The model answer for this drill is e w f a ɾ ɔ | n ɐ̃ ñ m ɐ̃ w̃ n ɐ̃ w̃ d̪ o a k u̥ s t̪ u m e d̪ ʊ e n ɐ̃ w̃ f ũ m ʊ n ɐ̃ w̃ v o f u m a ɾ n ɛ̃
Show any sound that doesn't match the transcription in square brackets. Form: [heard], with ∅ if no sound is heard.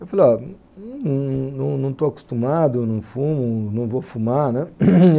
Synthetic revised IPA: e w f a [l] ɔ | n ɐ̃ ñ [n] ɐ̃ w̃ n ɐ̃ w̃ [t̪] o a k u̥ s t̪ u m [a] d̪ ʊ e n ɐ̃ w̃ f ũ m ʊ n ɐ̃ w̃ v o f u m a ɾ n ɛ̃

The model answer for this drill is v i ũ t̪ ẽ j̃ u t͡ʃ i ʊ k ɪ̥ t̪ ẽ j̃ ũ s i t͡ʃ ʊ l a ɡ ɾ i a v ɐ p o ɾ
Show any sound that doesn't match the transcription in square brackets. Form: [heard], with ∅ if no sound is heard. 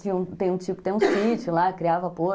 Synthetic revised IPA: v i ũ t̪ ẽ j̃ [ũ] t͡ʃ i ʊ k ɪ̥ t̪ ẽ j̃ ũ s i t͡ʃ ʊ l a [k] ɾ i a v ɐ p o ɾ

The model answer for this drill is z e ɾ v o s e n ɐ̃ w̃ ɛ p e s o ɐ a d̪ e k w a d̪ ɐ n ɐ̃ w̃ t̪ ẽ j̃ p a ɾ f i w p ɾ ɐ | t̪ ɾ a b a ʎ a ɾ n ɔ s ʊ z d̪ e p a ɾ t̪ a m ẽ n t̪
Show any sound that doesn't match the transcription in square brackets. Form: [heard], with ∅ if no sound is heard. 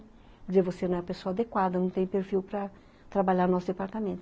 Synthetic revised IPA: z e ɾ v o s e n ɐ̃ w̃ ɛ p e s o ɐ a d̪ e k w a d̪ ɐ n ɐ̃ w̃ t̪ ẽ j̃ p [e] ɾ f i w p ɾ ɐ | t̪ ɾ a b a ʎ a ɾ n ɔ s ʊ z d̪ e p a ɾ t̪ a m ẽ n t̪

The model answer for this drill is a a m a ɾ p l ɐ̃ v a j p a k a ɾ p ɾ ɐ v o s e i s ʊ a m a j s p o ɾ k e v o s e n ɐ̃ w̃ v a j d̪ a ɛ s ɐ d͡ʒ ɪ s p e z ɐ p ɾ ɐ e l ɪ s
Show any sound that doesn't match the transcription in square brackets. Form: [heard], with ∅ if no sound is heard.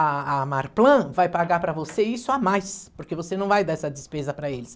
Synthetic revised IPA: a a m a ɾ p l ɐ̃ v a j p a [ɡ] a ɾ p ɾ ɐ v o s e i s ʊ a m a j s p o ɾ k e v o s e n ɐ̃ w̃ v a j d̪ a ɛ s ɐ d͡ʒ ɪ s p e z ɐ p ɾ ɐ e l ɪ s

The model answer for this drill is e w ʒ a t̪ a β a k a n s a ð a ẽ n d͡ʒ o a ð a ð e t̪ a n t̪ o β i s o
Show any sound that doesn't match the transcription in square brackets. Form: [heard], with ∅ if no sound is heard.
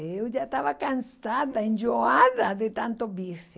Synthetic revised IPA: e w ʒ a t̪ a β a k a n s a ð a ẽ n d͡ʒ o a ð a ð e t̪ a n t̪ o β i s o

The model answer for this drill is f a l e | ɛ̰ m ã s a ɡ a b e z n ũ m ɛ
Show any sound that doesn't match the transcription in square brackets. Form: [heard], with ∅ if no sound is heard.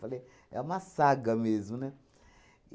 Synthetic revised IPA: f a l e | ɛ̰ m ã s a ɡ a [m] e z [m] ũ [n] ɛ

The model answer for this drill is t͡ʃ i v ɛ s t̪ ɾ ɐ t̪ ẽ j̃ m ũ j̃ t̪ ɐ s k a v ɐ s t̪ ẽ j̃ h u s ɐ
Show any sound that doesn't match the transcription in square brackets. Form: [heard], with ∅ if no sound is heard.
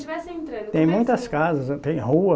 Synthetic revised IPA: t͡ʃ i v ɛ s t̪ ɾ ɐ t̪ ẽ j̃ m ũ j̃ t̪ ɐ s k a [z] ɐ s t̪ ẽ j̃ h u [∅] ɐ

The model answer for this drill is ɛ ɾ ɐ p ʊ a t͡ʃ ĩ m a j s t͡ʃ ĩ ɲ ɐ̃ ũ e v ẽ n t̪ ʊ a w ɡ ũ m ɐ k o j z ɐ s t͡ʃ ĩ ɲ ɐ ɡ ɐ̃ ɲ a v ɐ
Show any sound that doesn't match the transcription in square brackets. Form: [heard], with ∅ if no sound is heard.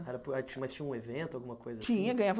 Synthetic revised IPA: ɛ ɾ ɐ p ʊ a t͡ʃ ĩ m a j s t͡ʃ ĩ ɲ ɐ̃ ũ e v ẽ n t̪ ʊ a w ɡ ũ m ɐ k o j z ɐ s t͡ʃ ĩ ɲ ɐ ɡ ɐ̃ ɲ a v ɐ

